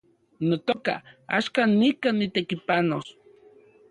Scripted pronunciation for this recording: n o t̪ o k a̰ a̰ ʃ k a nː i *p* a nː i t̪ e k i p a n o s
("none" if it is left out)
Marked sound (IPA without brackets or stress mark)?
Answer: k